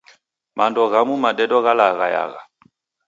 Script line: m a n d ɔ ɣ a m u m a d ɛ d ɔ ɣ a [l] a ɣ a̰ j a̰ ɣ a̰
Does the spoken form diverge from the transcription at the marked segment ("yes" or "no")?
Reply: no